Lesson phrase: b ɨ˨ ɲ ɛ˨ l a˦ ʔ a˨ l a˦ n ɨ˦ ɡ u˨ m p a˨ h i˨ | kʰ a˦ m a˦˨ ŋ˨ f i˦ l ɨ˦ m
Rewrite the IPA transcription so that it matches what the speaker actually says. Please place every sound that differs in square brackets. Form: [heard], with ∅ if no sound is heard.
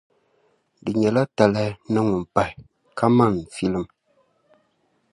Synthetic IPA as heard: [d] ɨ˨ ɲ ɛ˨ l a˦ [t] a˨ l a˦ n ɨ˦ [ŋ] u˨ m p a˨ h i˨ | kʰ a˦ m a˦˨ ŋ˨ f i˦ l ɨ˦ m